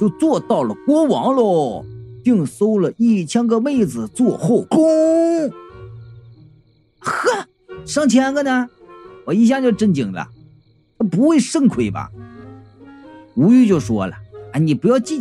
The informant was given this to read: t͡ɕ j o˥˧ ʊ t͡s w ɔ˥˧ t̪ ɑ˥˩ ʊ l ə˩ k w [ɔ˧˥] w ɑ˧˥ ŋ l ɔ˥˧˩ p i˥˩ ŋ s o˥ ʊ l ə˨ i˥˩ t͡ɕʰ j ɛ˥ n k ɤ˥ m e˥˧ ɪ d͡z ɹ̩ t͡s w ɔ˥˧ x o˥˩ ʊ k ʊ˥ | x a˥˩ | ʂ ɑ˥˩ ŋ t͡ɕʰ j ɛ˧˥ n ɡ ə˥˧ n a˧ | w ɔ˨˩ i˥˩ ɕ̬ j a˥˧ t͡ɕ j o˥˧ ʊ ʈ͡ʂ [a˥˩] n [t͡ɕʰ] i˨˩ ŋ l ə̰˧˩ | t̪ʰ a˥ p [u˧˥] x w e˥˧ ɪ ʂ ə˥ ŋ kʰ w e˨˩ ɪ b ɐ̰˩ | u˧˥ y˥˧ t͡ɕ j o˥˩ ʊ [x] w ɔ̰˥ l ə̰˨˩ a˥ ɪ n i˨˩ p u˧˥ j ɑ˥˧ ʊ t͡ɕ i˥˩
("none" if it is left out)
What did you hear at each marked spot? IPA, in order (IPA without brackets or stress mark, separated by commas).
ɔ˥, ə˥˩, t͡ɕ, u˧˥, ʂ